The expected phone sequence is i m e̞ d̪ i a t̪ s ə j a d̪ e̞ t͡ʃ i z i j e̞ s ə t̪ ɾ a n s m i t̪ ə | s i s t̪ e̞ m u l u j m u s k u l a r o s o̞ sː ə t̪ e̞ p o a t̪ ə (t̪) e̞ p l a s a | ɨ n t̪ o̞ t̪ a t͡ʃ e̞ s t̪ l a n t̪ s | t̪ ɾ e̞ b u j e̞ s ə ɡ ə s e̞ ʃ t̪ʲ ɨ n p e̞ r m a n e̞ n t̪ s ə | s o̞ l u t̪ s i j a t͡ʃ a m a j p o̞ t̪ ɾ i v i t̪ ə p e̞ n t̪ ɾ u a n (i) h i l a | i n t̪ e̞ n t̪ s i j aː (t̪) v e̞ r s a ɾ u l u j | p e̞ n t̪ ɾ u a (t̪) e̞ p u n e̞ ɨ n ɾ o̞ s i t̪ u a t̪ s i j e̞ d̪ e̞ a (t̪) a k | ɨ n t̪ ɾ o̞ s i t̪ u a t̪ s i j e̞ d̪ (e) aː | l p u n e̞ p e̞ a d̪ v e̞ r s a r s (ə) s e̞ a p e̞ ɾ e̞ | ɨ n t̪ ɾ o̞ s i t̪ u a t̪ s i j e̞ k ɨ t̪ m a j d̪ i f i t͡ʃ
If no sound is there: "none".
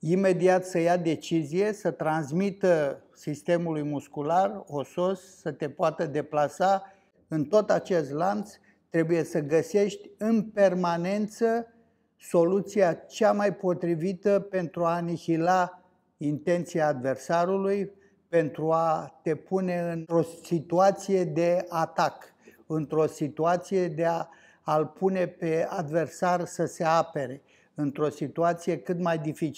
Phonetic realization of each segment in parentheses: d̪, i, d̪, t̪, t̪, e, ə

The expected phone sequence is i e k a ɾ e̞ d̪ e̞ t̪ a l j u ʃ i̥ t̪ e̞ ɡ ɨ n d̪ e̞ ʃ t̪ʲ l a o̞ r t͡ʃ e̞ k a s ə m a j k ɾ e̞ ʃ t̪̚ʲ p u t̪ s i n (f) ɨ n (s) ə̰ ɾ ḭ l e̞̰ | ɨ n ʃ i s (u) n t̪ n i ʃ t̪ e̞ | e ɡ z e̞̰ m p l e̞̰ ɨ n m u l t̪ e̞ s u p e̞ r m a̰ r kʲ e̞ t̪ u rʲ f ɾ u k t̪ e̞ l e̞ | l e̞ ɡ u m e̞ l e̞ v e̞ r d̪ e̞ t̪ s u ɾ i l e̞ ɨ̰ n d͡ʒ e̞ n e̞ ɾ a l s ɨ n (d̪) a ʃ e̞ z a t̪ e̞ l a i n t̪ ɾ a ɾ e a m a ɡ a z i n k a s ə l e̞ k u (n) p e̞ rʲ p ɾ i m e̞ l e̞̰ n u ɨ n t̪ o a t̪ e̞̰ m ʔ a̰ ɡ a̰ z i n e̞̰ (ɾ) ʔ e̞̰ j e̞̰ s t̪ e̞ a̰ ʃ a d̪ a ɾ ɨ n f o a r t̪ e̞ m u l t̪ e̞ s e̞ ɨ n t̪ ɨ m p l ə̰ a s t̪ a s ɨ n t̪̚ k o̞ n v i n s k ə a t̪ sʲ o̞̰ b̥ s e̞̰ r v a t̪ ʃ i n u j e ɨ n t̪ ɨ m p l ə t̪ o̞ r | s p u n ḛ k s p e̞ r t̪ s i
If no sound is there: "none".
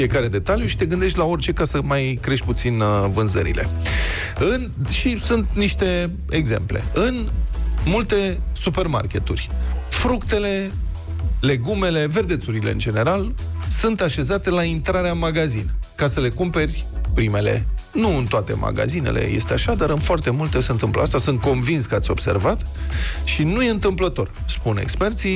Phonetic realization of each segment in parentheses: v, z, u, t̪, m, l

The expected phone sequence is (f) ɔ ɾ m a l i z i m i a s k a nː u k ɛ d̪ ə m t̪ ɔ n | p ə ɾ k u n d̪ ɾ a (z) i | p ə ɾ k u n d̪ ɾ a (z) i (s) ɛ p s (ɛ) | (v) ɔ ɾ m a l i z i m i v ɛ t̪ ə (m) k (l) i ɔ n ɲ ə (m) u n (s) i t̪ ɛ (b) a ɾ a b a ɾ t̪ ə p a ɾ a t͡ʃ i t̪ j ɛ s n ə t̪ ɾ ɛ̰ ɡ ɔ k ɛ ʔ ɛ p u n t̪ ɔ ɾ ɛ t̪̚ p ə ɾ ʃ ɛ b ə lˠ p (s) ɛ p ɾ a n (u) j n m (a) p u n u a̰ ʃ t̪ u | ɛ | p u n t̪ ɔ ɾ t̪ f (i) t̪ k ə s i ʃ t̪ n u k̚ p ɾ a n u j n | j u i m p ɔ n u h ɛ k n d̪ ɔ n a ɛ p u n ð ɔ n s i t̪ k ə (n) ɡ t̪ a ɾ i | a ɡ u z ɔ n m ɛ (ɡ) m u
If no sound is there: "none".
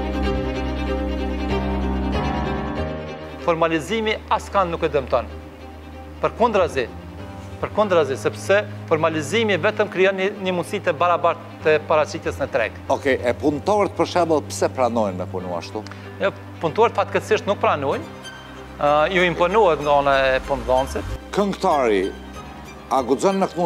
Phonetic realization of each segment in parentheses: f, z, z, s, ɛ, f, m, ɾ, m, s, b, s, ɔ, ɛ, a, ŋ, k

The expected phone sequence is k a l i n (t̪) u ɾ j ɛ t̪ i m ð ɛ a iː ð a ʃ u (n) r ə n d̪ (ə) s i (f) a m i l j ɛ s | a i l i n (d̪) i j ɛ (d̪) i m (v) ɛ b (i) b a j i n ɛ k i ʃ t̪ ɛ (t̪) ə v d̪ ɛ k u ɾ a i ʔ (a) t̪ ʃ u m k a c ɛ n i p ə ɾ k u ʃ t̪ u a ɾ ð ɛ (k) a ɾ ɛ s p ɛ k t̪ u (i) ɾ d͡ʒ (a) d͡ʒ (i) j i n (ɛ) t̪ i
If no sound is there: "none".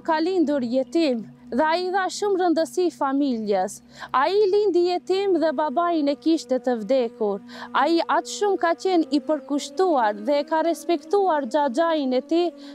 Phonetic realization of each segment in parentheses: d̪, m, ə, f, d̪, t̪, ð, a, t̪, a, k, a, a, a, ɛ

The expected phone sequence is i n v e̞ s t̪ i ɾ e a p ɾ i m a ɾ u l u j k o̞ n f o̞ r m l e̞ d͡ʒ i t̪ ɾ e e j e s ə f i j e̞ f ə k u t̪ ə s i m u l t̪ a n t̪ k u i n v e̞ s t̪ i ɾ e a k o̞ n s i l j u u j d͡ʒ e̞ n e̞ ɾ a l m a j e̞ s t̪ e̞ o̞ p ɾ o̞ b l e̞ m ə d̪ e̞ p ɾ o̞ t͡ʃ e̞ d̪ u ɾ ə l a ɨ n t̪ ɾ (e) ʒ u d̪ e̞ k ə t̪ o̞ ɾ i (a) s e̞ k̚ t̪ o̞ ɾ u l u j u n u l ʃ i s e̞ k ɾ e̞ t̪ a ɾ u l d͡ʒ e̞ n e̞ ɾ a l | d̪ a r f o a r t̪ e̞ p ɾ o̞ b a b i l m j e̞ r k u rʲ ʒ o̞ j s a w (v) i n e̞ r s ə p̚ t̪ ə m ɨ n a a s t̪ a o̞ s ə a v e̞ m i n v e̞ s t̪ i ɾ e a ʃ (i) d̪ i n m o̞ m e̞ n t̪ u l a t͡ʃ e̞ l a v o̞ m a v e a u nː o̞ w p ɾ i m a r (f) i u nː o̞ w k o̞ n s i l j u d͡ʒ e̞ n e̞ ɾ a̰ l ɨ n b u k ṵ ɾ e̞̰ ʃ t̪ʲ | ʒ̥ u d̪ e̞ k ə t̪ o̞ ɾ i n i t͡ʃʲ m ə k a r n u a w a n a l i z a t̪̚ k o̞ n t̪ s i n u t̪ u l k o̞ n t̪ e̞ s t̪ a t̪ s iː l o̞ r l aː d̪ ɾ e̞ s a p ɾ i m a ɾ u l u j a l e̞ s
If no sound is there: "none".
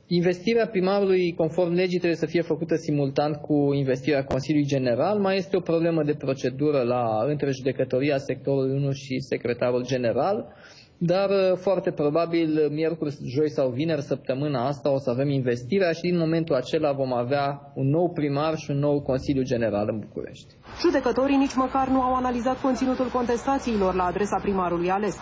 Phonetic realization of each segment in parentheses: e, a, v, i, ʃ

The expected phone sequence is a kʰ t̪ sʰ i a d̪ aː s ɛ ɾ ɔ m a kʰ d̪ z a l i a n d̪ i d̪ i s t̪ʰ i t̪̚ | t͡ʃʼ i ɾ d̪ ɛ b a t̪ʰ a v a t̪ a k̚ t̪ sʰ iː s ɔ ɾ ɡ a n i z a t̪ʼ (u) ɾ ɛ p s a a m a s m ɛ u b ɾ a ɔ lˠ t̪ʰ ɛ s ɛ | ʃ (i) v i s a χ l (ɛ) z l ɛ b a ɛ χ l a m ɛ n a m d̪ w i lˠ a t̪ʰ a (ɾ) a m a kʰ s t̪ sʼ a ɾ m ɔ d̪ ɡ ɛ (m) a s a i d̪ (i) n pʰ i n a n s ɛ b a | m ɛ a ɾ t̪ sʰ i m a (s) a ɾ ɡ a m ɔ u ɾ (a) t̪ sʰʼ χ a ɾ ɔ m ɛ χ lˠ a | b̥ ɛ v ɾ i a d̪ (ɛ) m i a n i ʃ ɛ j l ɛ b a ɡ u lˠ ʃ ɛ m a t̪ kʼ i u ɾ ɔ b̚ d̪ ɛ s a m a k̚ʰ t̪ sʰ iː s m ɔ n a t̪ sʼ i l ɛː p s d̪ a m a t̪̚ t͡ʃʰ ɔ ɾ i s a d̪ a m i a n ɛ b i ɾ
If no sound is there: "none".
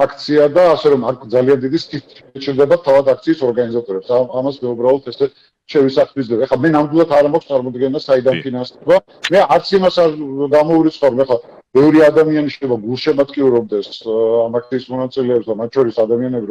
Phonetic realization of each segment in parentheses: ɔ, ɛ, i, ɾ, n, a, s, i, a

